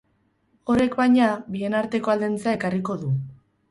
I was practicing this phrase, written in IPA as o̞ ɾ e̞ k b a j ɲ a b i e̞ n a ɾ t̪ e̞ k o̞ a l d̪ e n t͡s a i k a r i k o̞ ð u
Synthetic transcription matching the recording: o̞ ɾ e̞ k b a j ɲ a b i e̞ n a ɾ t̪ e̞ k o̞ a l d̪ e n t͡s a e k a r i k o̞ ð u